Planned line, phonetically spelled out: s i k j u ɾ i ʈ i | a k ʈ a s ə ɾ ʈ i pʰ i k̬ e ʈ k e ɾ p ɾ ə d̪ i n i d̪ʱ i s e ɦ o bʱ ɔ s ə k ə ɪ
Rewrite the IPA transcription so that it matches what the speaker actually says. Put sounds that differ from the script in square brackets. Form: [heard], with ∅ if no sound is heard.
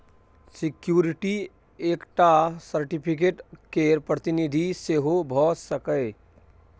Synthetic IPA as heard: s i k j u ɾ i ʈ i | [e] k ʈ a s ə ɾ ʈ i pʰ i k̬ e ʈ k e ɾ p ɾ ə [t̪] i n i d̪ʱ i s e ɦ o bʱ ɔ s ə k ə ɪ

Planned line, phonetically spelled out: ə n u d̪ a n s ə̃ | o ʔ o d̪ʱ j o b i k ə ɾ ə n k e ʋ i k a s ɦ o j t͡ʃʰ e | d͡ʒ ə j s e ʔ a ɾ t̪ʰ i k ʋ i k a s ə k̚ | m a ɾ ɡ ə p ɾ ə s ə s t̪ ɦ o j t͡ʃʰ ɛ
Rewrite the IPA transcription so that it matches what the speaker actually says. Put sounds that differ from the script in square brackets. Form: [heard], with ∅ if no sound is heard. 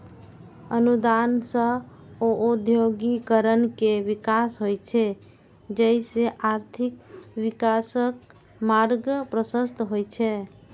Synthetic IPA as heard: ə n u d̪ a n s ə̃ | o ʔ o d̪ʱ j o [ɡ] i k ə ɾ ə n k e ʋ i k a s ɦ o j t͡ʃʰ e | d͡ʒ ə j s e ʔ a ɾ t̪ʰ i k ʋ i k a s ə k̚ | m a ɾ ɡ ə p ɾ ə s ə s t̪ ɦ o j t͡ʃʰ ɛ

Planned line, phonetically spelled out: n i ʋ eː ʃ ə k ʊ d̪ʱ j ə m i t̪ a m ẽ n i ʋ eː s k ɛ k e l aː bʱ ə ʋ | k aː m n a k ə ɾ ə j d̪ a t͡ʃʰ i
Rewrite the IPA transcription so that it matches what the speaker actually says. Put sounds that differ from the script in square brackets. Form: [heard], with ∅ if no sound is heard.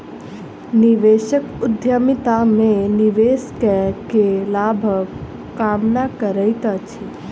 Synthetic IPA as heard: n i ʋ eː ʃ ə k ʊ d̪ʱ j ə m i t̪ a m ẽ n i ʋ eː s k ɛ k e l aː bʱ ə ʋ | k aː m n a k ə ɾ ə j [t̪] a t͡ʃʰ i

